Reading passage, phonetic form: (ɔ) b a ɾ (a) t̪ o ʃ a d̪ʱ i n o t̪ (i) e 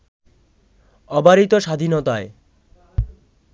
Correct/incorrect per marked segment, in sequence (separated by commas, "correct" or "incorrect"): correct, incorrect, incorrect